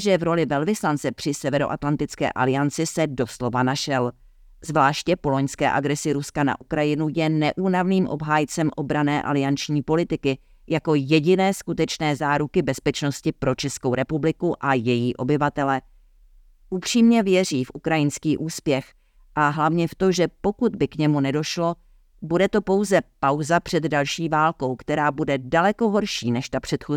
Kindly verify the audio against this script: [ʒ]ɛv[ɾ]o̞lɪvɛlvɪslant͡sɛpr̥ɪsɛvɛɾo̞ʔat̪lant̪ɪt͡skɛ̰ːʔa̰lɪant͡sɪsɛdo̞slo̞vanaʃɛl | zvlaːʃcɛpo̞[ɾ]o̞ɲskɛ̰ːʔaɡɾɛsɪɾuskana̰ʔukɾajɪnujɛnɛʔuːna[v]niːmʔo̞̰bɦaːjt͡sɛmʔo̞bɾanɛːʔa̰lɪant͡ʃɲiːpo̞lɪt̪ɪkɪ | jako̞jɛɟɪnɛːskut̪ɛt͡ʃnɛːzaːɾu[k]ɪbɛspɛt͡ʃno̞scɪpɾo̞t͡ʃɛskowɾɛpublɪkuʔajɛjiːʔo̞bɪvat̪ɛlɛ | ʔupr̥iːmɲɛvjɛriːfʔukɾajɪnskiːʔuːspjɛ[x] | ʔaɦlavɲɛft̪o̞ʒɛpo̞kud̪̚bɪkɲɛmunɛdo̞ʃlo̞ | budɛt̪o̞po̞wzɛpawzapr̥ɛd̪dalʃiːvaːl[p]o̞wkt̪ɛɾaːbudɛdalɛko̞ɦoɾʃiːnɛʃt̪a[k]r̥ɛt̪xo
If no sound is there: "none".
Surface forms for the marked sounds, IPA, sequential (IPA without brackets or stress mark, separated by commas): ʒ, ɾ, l, v, k, x, k, p